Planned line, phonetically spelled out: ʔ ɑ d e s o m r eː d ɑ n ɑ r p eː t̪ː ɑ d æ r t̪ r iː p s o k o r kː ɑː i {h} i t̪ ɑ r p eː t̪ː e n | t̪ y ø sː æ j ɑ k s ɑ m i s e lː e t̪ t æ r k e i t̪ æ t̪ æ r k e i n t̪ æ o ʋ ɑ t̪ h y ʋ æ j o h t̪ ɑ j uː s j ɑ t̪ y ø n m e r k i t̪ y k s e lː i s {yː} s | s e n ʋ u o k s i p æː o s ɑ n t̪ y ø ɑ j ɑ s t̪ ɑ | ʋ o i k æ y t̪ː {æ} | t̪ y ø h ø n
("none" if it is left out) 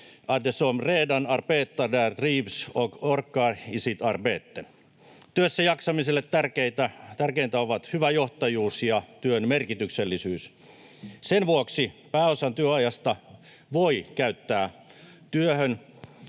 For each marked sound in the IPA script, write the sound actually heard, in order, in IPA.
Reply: s, yː, æː

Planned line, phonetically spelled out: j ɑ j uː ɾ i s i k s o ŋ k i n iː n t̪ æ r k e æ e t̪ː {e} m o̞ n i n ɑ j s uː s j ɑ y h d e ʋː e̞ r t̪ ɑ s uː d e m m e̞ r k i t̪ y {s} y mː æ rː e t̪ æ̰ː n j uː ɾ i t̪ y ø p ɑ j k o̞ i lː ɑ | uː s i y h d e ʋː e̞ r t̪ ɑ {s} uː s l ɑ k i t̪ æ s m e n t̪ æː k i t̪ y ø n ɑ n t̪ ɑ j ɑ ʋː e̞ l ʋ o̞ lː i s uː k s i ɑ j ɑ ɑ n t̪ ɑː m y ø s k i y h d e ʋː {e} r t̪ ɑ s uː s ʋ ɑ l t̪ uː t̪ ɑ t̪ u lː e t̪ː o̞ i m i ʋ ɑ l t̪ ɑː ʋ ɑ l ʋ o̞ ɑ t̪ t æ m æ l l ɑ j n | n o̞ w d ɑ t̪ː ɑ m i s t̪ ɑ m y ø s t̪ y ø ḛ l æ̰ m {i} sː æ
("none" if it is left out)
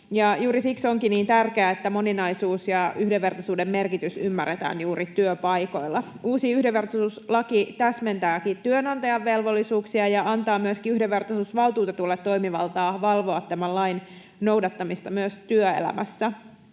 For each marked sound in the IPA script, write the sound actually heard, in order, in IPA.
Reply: æ, s, s, e, æ

